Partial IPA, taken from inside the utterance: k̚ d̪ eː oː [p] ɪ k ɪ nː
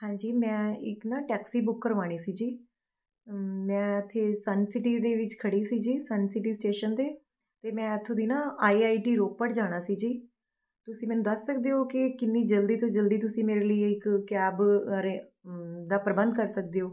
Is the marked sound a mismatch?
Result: yes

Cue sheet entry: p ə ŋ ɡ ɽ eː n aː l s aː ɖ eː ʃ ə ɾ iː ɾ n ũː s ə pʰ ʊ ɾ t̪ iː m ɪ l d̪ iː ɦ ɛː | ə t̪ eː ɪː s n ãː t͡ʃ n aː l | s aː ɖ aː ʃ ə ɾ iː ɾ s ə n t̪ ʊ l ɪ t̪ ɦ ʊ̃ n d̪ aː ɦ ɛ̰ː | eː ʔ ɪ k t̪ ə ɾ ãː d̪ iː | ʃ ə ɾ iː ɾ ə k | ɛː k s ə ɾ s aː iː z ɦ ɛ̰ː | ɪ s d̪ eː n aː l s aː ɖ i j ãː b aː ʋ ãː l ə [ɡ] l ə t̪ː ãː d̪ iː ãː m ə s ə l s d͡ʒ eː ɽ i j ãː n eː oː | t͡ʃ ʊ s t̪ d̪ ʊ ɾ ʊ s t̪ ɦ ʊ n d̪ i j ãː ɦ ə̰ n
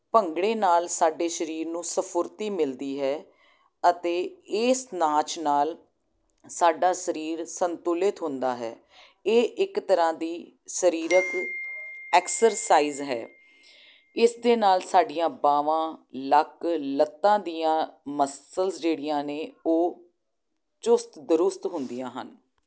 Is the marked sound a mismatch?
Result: yes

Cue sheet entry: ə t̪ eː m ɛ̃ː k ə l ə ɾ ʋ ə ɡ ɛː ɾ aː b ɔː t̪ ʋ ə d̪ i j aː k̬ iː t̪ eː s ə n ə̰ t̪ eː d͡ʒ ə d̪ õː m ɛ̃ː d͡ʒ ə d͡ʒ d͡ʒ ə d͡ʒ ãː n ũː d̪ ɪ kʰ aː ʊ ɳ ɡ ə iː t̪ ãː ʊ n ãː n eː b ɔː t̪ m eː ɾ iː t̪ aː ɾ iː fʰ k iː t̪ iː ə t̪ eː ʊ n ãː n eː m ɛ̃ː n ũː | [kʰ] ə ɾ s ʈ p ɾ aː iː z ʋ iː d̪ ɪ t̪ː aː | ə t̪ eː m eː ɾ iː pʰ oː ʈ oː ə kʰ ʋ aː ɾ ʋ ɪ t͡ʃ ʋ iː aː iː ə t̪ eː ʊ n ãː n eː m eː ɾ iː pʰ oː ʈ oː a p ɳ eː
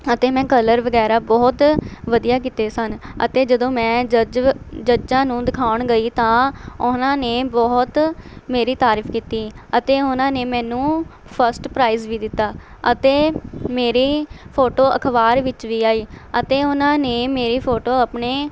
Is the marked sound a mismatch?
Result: yes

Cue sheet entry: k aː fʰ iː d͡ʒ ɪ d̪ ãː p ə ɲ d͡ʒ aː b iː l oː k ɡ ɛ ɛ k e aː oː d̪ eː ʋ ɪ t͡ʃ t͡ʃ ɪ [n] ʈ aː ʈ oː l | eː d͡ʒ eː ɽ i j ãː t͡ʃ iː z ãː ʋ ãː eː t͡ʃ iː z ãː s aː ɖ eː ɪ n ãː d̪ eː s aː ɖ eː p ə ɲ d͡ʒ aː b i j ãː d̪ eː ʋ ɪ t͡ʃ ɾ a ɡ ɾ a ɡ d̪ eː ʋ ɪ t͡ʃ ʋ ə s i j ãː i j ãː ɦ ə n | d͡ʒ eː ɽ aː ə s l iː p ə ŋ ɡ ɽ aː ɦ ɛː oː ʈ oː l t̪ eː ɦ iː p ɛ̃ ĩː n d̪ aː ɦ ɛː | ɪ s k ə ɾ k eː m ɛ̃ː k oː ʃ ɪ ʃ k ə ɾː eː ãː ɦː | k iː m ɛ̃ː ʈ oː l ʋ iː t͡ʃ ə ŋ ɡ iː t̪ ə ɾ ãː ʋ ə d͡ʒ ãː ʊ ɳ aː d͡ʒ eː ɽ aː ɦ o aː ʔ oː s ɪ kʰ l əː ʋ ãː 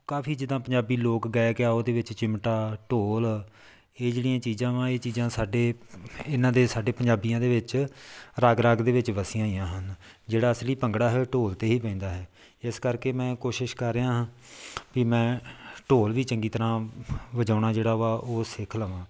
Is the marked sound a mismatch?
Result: yes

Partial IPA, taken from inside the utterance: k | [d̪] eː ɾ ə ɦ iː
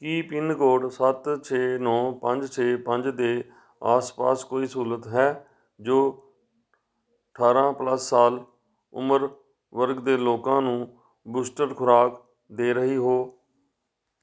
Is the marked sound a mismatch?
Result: no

